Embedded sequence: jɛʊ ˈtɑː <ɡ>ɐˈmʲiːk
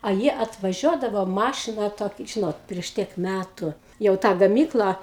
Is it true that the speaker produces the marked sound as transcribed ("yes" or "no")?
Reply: yes